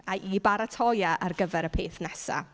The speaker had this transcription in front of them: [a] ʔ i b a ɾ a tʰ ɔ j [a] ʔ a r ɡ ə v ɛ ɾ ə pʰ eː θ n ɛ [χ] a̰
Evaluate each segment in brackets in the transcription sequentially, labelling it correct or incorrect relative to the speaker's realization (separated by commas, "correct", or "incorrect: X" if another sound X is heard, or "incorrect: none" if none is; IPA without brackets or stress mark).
correct, correct, incorrect: s